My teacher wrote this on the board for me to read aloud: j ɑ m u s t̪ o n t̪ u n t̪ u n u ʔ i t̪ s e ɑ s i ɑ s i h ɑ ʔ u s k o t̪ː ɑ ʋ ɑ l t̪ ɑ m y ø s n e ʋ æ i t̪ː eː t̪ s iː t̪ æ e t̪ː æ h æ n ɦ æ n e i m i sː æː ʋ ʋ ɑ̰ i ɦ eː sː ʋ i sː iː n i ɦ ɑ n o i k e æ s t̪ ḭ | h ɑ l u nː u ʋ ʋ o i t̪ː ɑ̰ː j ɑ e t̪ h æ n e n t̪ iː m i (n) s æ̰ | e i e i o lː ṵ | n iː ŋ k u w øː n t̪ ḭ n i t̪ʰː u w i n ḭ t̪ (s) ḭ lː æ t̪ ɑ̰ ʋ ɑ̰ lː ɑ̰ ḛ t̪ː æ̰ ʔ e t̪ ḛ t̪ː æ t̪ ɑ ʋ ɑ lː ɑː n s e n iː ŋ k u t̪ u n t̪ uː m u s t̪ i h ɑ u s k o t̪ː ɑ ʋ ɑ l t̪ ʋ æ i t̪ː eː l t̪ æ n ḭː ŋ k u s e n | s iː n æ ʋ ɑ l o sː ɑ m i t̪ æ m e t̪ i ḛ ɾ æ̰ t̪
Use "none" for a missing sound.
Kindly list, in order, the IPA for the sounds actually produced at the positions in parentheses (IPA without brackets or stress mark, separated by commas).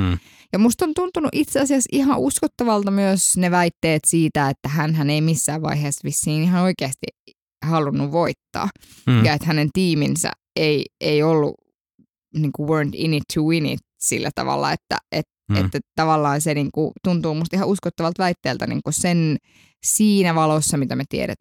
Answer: n, s